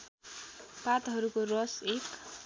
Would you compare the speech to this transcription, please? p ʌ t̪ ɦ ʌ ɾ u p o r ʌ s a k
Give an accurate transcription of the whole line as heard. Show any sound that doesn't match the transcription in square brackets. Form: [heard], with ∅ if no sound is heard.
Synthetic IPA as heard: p [a] t̪ ɦ ʌ ɾ u [k] o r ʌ s [e] k

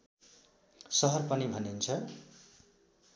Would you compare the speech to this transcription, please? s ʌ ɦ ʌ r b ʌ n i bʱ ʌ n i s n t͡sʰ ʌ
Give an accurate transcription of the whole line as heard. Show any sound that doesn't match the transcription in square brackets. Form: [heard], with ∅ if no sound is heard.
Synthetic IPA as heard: s ʌ ɦ ʌ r [p] ʌ n i bʱ ʌ n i [∅] n t͡sʰ ʌ

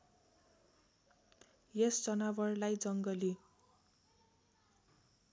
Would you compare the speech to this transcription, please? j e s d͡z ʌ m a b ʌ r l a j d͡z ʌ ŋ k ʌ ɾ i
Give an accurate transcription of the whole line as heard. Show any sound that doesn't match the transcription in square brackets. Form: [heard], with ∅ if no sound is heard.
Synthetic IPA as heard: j e s d͡z ʌ [n] a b ʌ r l a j d͡z ʌ ŋ [ɡ] ʌ [l] i

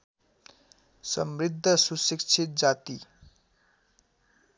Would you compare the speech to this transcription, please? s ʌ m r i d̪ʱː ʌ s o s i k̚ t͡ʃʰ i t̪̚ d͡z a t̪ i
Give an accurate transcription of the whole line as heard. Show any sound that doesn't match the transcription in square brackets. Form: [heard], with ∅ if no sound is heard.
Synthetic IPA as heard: s ʌ m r i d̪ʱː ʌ s [u] s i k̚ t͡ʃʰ i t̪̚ d͡z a t̪ i

